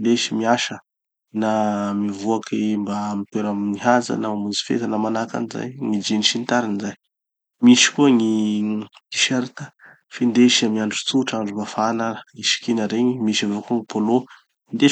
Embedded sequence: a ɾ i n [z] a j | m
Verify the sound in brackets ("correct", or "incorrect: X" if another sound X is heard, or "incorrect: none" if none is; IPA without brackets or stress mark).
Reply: correct